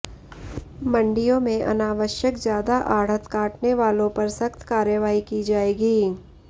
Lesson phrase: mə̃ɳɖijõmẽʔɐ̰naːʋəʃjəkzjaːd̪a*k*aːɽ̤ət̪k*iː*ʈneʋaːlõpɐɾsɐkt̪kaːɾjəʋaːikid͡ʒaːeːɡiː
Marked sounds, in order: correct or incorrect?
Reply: incorrect: ʔ, incorrect: aː

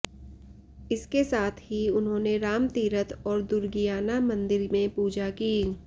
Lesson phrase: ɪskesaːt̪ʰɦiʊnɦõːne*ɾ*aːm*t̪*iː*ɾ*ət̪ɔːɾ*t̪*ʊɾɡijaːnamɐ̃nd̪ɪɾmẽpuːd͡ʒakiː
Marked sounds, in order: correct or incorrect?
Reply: correct, correct, correct, incorrect: d̪

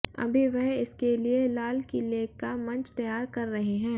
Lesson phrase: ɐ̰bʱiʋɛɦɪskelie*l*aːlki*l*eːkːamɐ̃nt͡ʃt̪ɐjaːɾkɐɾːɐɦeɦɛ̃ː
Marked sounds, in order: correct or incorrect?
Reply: correct, correct

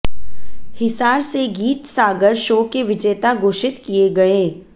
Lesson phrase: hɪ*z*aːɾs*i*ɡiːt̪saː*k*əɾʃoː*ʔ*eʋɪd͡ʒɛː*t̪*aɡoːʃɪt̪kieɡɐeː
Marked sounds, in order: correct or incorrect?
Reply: incorrect: s, incorrect: e, incorrect: ɡ, incorrect: k, correct

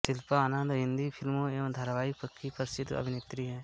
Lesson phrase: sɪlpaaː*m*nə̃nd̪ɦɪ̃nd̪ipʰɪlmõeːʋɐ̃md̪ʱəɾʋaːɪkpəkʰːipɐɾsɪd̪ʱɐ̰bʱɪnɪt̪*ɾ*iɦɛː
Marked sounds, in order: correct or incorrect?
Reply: incorrect: none, correct

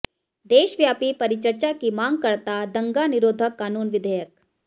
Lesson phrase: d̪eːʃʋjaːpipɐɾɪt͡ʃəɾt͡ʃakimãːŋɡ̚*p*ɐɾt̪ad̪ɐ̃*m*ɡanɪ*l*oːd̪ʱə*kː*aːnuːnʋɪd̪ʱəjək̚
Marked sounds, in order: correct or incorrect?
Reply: incorrect: k, incorrect: ŋ, incorrect: ɾ, correct

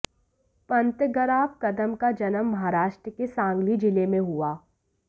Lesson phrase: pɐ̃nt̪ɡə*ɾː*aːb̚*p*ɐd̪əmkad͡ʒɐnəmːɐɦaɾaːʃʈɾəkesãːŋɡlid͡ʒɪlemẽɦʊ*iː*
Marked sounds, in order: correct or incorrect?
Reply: incorrect: ɾ, incorrect: k, incorrect: aː

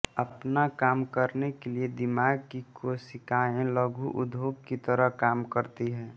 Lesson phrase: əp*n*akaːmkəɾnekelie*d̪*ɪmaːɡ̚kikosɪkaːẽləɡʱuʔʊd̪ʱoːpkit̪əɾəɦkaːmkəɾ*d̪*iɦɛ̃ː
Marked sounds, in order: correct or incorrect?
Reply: correct, correct, incorrect: t̪

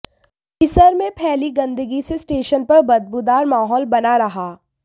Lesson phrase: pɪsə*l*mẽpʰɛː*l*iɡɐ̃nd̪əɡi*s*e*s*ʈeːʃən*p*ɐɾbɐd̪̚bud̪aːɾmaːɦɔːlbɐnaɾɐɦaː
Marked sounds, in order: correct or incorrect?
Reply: incorrect: ɾ, correct, correct, correct, correct

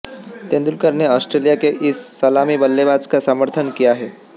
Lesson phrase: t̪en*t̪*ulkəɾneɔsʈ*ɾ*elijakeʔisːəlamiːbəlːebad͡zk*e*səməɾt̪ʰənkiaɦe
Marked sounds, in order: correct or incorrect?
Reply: incorrect: d̪, correct, incorrect: a

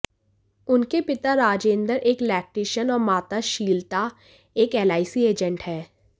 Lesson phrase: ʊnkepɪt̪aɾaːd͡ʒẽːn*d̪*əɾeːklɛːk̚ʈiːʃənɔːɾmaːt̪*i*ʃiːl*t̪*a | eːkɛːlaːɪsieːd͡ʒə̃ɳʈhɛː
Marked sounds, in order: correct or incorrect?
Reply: correct, incorrect: a, correct

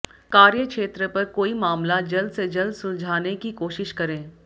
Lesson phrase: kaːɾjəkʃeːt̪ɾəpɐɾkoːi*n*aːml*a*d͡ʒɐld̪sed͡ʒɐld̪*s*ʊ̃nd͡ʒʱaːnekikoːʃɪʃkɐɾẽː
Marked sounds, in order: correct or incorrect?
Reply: incorrect: m, correct, correct

